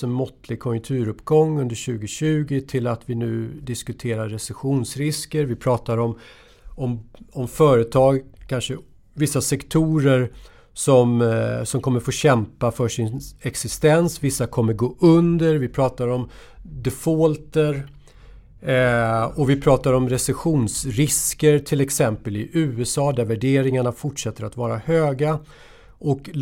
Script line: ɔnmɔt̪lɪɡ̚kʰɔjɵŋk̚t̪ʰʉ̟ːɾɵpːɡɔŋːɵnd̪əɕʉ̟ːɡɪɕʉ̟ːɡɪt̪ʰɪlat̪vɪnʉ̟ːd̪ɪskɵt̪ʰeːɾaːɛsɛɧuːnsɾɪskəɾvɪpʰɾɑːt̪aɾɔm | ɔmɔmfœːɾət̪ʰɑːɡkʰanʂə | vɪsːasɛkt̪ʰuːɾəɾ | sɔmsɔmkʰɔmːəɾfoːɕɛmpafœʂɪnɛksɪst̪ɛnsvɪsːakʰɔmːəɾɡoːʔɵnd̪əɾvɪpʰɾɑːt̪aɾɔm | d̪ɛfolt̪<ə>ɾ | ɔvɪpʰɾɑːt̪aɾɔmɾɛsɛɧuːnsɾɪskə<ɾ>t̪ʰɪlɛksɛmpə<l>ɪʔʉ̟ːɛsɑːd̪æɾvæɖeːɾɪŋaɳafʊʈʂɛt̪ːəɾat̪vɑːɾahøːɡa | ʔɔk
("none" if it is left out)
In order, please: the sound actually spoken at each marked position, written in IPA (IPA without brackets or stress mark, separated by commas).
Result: ə, ɾ, l